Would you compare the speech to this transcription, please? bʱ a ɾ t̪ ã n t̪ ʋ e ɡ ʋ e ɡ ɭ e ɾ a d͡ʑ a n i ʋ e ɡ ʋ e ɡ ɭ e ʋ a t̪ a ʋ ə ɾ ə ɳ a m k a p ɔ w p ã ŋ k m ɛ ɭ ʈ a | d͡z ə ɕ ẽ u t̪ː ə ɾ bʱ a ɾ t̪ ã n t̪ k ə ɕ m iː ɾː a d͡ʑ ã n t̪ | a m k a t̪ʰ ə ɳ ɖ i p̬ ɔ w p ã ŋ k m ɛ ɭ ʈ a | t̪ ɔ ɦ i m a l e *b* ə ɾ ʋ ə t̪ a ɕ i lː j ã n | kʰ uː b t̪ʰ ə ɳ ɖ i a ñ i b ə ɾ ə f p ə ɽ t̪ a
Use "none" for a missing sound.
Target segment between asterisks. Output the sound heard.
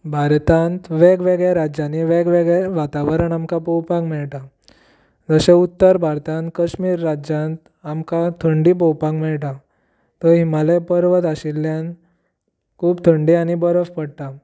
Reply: p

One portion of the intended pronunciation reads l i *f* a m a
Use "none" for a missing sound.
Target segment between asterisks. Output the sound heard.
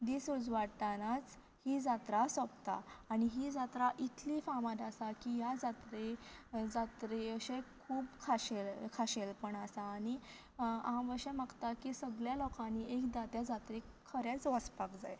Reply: f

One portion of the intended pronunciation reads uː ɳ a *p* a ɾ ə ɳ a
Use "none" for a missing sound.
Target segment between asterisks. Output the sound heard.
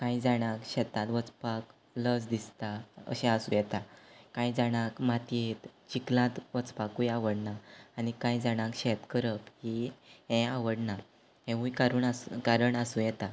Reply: k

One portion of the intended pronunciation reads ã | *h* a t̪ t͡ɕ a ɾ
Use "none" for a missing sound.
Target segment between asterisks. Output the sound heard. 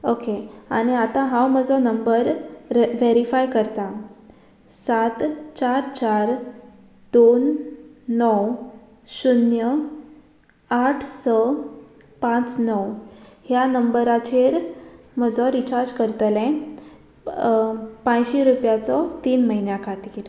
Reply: s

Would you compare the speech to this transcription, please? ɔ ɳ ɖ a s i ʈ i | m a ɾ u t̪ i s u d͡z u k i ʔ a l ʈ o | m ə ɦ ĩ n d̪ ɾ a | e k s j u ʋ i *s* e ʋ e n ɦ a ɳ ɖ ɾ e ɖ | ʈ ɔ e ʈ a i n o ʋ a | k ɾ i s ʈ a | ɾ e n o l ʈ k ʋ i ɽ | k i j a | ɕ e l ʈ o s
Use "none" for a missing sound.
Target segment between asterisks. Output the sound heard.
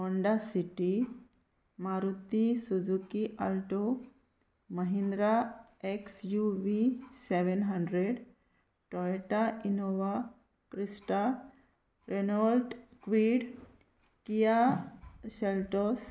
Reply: s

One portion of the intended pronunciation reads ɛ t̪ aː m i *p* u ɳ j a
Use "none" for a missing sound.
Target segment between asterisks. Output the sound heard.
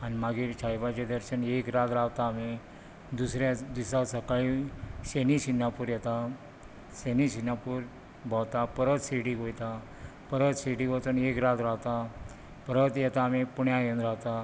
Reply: p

